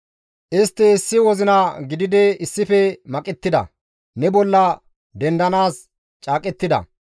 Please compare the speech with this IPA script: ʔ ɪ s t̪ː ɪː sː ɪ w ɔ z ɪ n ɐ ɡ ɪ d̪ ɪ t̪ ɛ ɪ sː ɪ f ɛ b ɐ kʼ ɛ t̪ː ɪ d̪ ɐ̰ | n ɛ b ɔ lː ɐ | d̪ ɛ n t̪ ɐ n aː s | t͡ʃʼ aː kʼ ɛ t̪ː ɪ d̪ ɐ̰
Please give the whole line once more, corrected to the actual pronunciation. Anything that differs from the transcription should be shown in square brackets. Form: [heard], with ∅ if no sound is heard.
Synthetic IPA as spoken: ʔ ɪ s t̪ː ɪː sː ɪ w ɔ z ɪ n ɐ ɡ ɪ d̪ ɪ [d̪] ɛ ɪ sː ɪ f ɛ [m] ɐ kʼ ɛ t̪ː ɪ d̪ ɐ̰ | n ɛ b ɔ lː ɐ | d̪ ɛ n [d̪] ɐ n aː s | t͡ʃʼ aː kʼ ɛ t̪ː ɪ d̪ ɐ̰